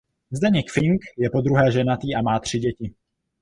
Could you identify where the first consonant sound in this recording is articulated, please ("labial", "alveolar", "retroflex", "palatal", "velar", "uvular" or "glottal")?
alveolar